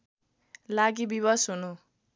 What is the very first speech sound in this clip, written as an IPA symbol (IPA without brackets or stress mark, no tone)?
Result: l